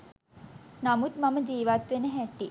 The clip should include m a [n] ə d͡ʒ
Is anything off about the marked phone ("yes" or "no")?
yes